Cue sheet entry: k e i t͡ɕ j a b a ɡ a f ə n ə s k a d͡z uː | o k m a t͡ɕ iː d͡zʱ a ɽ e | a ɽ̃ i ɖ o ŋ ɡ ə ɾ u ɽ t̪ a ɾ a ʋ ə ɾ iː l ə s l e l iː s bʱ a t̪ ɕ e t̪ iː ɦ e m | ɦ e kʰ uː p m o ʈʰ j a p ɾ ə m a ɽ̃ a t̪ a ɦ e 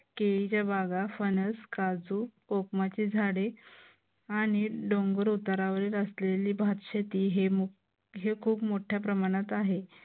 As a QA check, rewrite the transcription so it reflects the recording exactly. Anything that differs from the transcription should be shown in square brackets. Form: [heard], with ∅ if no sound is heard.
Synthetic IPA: k e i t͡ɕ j a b a ɡ a f ə n ə s k a d͡z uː | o k m a t͡ɕ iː d͡zʱ a ɽ e | a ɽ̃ i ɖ o ŋ ɡ ə ɾ u [∅] t̪ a ɾ a ʋ ə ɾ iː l ə s l e l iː [∅] bʱ a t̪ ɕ e t̪ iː ɦ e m | ɦ e kʰ uː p m o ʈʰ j a p ɾ ə m a ɽ̃ a t̪ a ɦ e